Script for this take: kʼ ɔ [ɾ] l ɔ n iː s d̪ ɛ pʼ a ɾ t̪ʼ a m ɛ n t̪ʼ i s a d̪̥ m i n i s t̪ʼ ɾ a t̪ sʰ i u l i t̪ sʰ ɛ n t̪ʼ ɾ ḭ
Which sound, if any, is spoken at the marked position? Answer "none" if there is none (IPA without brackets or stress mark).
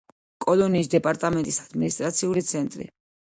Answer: none